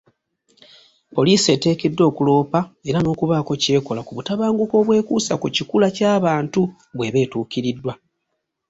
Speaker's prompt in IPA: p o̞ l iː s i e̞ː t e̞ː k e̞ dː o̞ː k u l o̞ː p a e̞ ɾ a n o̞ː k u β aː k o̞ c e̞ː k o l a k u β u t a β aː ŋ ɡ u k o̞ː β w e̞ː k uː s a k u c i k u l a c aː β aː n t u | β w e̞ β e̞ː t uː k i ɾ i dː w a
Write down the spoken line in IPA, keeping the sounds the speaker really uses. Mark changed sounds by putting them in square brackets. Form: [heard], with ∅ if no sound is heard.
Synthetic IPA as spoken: p o̞ l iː s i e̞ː t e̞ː k e̞ dː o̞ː k u l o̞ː p a e̞ ɾ a n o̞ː k u β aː k o̞ c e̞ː k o l a k u β u t a β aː ŋ ɡ u k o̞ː β w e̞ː k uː s a k u c i k u l a c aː β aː n t u | β w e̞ β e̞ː t uː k i ɾ i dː w a